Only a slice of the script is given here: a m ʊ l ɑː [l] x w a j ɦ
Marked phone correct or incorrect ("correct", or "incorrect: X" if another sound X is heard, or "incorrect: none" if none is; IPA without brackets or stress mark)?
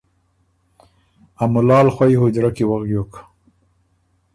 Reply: correct